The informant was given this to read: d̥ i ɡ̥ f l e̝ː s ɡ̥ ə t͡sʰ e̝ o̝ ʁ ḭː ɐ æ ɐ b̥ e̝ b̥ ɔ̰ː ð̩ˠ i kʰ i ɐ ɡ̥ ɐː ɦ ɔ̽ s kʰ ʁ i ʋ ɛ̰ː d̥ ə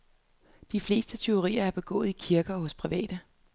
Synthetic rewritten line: d̥ i f l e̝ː s d̥ ə t͡sʰ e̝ o̝ ʁ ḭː ɐ æ ɐ b̥ e̝ ɡ̥ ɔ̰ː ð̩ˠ i kʰ i ɐ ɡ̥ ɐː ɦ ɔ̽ s pʰ ʁ i ʋ ɛ̰ː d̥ ə